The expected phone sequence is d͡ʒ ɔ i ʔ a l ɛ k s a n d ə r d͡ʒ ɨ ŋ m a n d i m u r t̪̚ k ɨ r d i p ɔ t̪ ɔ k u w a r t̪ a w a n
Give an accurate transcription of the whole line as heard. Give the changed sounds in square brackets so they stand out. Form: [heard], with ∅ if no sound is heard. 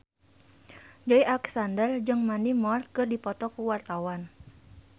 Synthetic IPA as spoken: d͡ʒ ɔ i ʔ a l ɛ k s a n d ə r d͡ʒ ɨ ŋ m a n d i m [ɔ] r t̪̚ k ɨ r d i p ɔ t̪ ɔ k u w a r t̪ a w a n